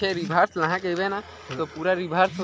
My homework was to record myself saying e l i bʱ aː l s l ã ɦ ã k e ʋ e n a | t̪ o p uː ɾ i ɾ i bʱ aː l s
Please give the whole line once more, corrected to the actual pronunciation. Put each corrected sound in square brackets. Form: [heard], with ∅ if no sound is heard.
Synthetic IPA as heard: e [ɾ] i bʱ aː [ɾ] s l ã ɦ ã k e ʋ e n a | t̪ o p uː ɾ [a] ɾ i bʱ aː [ɾ] s